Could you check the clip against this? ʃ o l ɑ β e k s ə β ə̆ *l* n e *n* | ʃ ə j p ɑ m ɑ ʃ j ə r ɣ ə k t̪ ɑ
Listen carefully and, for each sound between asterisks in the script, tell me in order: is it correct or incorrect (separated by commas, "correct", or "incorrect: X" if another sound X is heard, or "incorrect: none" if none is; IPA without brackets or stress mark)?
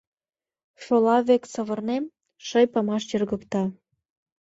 incorrect: r, incorrect: m